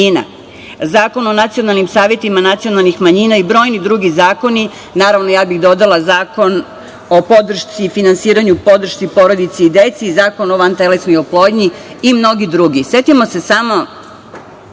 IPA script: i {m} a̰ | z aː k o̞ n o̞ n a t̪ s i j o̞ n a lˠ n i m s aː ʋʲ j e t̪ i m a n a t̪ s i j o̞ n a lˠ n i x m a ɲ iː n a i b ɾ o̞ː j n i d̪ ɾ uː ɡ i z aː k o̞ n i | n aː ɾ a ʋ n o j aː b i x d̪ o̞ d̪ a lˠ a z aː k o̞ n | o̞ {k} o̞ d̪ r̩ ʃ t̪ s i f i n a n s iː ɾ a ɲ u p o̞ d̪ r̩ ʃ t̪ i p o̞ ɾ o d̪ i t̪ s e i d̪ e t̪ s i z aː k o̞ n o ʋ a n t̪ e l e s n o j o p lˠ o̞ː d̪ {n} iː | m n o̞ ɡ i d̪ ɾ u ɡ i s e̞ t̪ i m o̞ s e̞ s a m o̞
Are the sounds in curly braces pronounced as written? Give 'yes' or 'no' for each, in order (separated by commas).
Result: no, no, no